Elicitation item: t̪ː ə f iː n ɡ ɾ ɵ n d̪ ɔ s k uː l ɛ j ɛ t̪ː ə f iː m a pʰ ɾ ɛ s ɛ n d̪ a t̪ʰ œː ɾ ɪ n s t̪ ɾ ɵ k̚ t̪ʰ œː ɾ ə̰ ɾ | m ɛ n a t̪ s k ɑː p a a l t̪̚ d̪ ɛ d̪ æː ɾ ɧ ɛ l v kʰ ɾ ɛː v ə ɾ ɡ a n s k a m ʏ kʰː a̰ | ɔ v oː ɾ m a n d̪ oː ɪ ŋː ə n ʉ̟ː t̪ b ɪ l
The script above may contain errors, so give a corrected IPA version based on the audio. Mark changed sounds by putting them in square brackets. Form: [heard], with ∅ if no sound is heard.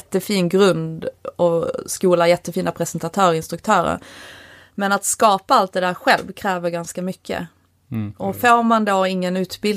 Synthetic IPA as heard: t̪ː ə f iː n ɡ ɾ ɵ n d̪ ɔ s k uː l [a] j ɛ t̪ː ə f iː [n] a pʰ ɾ ɛ s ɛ n [t̪] a t̪ʰ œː ɾ ɪ n s t̪ ɾ ɵ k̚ t̪ʰ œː ɾ ə̰ ɾ | m ɛ n a t̪ s k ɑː p a a l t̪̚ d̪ ɛ d̪ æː ɾ ɧ ɛ l v kʰ ɾ ɛː v ə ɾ ɡ a n s k a m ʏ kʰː [ə̰] | ɔ [f] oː ɾ m a n d̪ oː ɪ ŋː ə n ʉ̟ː t̪ b ɪ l